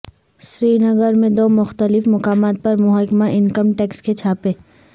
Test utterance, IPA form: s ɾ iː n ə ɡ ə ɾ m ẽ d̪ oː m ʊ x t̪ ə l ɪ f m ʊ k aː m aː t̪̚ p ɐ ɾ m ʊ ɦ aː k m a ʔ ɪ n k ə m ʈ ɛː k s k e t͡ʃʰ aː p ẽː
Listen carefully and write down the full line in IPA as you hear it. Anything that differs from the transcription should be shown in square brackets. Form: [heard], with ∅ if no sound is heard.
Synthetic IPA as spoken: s ɾ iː n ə ɡ ə ɾ m ẽ d̪ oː m ʊ x t̪ ə l ɪ f m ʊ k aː m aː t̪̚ p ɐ ɾ m ʊ ɦ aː k m a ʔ ɪ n k ə m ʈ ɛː k s k e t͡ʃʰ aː p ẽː